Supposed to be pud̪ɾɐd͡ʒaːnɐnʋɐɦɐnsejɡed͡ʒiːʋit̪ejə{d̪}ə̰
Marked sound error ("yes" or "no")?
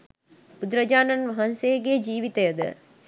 no